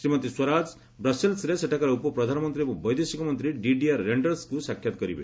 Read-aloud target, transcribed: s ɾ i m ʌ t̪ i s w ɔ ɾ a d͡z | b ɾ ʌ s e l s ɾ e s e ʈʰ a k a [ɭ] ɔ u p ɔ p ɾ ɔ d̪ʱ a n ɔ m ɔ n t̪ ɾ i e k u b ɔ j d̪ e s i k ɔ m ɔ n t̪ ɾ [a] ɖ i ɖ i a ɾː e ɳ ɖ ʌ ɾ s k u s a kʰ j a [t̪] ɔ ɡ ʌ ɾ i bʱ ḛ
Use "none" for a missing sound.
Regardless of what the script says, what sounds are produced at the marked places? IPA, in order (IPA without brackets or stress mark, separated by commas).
ɾ, i, t̪